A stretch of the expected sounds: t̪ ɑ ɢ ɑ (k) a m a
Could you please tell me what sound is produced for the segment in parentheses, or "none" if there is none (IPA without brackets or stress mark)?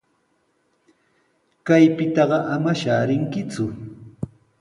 ʔ